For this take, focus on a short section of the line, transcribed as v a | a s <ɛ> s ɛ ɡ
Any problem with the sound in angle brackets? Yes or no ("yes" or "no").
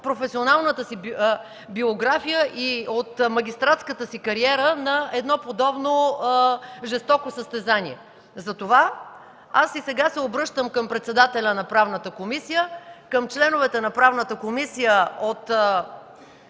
yes